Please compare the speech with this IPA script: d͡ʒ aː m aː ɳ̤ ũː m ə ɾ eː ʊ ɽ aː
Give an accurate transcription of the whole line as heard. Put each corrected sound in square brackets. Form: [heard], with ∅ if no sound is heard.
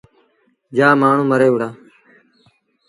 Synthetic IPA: d͡ʒ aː m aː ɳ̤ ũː m ə ɾ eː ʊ ɽ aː

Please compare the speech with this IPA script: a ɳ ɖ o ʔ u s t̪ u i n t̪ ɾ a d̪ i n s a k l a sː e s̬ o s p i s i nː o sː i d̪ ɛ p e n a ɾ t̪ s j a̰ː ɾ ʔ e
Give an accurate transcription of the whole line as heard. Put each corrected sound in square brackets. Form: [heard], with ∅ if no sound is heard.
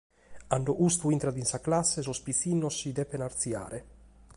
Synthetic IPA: a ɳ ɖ o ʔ u s t̪ u i n t̪ ɾ a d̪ i n s a k l a sː e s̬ o s p i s i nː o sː i d̪ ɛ p e n a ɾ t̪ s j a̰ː ɾ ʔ e

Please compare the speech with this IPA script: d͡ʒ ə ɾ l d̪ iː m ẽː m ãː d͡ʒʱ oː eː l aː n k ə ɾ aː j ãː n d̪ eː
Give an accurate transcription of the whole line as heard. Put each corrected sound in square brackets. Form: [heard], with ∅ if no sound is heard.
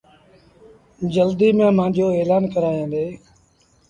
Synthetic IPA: d͡ʒ ə [∅] l d̪ iː m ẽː m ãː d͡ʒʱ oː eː l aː n k ə ɾ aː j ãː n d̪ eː

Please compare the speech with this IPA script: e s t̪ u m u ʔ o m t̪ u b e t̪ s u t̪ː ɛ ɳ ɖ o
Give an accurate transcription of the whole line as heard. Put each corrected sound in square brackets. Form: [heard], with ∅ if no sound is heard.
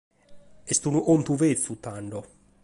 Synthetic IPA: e s t̪ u [n] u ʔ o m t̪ u [v] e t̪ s u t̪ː [a] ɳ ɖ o

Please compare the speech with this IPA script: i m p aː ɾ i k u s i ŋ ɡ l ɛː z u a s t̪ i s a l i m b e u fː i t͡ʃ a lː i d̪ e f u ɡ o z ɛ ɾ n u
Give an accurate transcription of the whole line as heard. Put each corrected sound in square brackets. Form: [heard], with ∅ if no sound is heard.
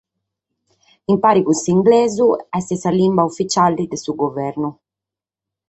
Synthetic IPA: i m p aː ɾ i k u s i ŋ ɡ l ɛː z u [ɛ] s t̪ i s a l i m b [a] u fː i t͡ʃ a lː i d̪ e [s] u ɡ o [v] ɛ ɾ n u

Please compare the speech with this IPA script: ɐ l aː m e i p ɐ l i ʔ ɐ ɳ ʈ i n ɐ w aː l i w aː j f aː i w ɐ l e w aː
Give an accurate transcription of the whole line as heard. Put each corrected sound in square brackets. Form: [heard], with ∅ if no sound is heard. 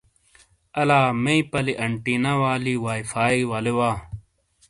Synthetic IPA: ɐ l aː m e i p ɐ l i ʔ ɐ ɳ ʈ i n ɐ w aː l i w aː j f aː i w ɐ l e w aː

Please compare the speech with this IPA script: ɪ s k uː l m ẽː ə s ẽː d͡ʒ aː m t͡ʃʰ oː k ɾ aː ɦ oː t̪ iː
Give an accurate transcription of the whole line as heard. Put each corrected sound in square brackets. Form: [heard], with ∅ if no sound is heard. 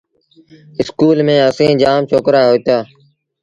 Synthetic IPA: ɪ s k uː l m ẽː ə s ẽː d͡ʒ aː m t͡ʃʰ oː k ɾ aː ɦ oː t̪ [aː]

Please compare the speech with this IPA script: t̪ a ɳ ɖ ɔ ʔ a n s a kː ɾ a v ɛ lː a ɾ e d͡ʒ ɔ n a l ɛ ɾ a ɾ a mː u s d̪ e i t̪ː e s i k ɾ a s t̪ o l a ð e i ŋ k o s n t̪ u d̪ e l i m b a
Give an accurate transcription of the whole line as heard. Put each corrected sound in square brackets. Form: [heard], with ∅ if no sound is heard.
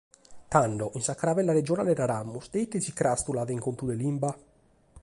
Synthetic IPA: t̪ a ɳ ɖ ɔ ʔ [i] n s a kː ɾ a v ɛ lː a ɾ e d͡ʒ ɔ n a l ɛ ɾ a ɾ a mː u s d̪ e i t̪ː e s i k ɾ a s t̪ [u] l a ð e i ŋ k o [∅] n t̪ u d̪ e l i m b a

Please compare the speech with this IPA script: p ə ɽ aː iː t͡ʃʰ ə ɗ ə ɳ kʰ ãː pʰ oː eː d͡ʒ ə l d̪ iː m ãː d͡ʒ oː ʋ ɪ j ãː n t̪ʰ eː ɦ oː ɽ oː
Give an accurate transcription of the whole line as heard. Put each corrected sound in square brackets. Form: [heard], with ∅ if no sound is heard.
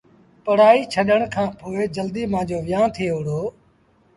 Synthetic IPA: p ə ɽ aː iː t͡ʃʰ ə ɗ ə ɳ kʰ ãː pʰ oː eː d͡ʒ ə l d̪ iː m ãː d͡ʒ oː ʋ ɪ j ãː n t̪ʰ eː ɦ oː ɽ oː

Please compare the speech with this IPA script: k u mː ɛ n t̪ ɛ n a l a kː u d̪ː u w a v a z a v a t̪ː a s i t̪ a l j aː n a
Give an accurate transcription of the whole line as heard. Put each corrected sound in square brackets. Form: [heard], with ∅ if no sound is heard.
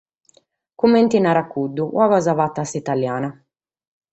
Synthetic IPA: k u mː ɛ n t̪ [i] n a [ɾ] a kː u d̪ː u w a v a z a v a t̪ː a s i t̪ a l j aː n a

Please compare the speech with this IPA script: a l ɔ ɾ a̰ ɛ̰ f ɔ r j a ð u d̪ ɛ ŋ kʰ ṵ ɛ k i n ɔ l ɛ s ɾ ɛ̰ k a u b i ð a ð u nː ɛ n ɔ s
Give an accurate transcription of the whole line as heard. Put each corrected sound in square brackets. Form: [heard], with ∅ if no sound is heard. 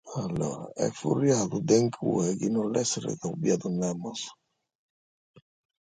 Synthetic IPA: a l ɔ ɾ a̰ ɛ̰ f [u] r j a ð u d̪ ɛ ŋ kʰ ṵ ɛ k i n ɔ l ɛ s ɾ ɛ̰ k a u b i [∅] a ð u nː ɛ [m] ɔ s

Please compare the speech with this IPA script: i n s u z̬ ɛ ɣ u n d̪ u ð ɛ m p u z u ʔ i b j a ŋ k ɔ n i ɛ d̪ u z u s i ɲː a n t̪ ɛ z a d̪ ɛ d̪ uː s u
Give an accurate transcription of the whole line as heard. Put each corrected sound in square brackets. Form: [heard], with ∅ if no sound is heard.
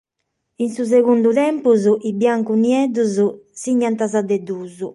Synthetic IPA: i n s u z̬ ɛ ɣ u n d̪ u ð ɛ m p u z u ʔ i b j a ŋ k [u] n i ɛ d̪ u z u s i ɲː a n t̪ [a] z a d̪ ɛ d̪ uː [z] u

